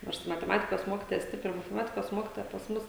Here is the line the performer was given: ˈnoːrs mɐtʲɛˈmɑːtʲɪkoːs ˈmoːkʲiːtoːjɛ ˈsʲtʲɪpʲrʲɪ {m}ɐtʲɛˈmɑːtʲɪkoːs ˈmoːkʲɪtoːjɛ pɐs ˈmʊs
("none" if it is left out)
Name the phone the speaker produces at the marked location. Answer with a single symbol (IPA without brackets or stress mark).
m